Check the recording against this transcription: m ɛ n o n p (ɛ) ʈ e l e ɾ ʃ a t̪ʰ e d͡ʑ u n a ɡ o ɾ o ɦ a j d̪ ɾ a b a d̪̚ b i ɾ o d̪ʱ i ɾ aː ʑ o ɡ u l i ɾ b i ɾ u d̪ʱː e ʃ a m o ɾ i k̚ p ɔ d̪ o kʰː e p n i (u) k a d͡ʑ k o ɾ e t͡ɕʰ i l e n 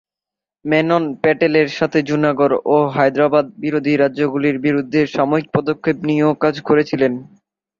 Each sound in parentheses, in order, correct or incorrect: correct, incorrect

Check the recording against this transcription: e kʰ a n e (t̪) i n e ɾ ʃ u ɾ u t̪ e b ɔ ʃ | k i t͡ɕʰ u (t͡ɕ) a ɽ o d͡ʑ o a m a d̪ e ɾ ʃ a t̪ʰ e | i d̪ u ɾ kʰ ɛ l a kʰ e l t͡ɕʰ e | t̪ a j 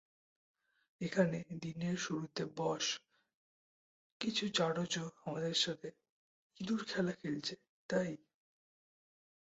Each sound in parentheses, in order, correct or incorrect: incorrect, correct

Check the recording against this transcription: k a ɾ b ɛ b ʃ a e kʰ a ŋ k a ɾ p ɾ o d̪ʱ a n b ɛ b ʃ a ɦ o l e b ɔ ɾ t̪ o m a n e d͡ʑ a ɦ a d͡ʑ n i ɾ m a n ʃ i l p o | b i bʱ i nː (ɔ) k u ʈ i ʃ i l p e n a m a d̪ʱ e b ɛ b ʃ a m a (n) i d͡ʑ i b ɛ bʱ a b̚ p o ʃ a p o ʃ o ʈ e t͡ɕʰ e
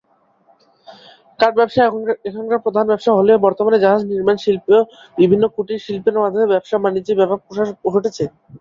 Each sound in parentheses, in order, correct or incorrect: incorrect, correct

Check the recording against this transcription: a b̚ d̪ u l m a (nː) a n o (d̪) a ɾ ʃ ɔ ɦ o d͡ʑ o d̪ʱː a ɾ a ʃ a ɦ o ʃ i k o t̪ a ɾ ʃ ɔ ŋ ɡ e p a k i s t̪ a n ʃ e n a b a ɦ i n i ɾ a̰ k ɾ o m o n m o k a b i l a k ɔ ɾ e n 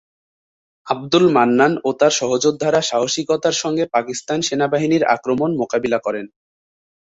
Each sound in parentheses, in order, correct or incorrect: correct, incorrect

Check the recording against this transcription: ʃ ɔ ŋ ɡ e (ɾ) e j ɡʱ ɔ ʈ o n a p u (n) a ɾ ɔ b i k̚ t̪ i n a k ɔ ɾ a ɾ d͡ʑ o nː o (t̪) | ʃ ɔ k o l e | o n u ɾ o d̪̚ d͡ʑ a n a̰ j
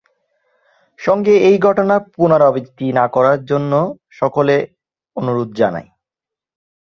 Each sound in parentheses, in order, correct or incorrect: incorrect, correct, incorrect

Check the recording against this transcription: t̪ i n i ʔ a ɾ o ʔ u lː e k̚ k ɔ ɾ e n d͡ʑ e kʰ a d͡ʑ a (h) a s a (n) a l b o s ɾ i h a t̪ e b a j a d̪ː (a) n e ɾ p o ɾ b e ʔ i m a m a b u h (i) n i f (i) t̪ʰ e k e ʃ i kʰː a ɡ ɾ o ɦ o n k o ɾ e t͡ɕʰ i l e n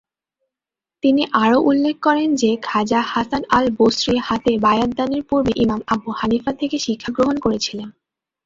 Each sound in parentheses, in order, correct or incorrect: correct, correct, correct, incorrect, incorrect

